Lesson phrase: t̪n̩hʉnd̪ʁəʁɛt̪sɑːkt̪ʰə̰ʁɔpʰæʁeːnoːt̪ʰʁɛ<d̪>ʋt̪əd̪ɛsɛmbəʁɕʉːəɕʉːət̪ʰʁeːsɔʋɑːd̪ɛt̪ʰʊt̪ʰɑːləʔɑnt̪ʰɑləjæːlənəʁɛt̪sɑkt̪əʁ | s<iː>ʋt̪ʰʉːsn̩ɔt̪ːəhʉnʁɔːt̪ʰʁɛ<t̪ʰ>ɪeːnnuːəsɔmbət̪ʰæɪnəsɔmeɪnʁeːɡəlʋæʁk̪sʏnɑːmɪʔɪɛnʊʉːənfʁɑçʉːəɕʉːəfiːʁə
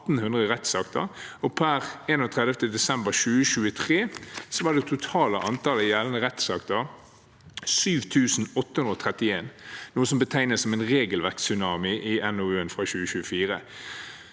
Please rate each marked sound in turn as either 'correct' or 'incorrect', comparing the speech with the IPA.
correct, incorrect, incorrect

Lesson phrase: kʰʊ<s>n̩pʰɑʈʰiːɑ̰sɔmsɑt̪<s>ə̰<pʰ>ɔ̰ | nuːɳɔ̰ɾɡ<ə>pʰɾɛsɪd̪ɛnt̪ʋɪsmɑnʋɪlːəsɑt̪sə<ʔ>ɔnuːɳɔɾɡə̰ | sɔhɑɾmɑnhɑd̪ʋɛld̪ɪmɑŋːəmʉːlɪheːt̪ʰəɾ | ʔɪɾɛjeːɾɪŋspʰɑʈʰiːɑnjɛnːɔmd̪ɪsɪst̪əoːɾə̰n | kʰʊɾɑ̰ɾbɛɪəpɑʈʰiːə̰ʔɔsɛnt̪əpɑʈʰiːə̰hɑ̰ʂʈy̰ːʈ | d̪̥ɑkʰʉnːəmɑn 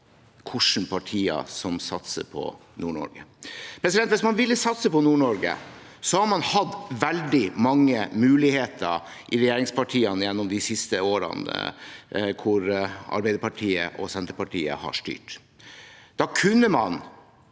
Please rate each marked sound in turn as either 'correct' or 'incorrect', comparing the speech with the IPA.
incorrect, correct, correct, correct, incorrect

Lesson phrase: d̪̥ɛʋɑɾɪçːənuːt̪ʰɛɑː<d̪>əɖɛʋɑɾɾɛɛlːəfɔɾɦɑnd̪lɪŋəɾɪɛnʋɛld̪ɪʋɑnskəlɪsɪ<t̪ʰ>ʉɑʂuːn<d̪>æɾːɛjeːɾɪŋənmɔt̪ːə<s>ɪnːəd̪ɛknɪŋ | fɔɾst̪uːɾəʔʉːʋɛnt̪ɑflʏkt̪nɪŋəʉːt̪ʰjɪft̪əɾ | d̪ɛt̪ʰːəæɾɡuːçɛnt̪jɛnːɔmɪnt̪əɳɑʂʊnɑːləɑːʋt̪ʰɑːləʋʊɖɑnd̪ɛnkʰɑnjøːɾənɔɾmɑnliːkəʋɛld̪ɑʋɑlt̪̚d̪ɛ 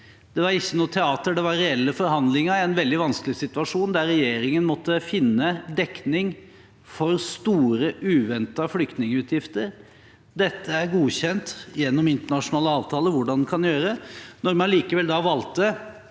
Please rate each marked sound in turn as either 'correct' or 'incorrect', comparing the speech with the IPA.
incorrect, incorrect, correct, incorrect

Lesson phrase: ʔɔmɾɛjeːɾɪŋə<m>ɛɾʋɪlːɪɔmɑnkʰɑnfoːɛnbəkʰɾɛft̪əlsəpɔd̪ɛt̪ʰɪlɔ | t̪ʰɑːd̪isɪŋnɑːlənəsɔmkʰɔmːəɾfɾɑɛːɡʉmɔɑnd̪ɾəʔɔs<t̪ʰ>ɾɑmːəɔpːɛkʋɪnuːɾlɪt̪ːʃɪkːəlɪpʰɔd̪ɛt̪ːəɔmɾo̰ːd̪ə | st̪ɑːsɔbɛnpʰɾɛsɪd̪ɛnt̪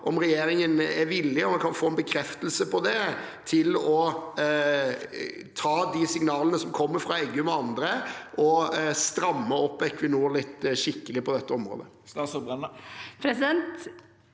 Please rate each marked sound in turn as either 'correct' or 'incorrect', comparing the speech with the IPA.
incorrect, incorrect

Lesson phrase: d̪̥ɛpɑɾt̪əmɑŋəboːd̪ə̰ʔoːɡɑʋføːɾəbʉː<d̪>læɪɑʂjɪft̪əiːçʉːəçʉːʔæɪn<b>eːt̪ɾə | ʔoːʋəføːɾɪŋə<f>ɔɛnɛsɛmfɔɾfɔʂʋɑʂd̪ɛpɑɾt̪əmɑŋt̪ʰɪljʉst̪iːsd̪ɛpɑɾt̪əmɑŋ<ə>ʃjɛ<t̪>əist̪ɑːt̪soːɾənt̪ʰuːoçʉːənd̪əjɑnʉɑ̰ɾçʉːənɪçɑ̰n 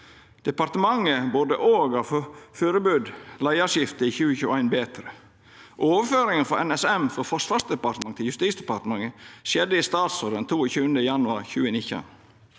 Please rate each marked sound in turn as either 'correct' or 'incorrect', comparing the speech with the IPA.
correct, correct, correct, correct, incorrect

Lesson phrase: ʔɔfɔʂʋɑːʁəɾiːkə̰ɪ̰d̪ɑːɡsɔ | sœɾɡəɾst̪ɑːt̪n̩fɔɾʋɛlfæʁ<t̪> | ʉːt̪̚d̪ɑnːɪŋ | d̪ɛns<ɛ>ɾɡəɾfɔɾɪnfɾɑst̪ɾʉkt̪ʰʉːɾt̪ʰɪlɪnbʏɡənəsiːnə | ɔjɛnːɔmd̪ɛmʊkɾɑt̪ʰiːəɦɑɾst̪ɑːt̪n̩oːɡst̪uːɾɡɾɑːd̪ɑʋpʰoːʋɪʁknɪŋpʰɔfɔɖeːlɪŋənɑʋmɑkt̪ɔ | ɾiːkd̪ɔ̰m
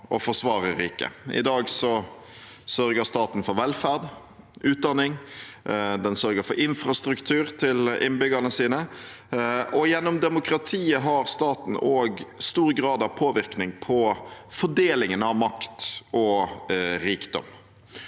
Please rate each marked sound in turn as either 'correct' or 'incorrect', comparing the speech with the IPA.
incorrect, incorrect

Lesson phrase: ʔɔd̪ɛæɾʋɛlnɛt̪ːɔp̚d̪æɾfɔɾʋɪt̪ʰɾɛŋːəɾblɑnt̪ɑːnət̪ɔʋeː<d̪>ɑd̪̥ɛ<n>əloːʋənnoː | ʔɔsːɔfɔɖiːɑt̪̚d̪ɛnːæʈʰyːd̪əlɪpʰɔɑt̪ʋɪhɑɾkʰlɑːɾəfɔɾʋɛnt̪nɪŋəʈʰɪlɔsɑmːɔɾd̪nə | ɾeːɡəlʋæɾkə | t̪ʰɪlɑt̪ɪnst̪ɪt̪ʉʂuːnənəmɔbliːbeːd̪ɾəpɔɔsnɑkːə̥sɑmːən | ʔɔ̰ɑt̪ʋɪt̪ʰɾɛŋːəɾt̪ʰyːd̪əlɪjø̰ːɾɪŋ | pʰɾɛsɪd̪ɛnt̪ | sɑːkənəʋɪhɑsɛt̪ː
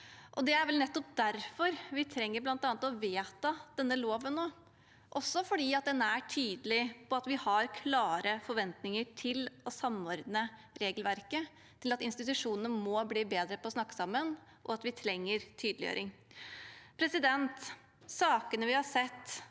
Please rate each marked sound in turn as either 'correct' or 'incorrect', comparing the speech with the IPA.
incorrect, incorrect

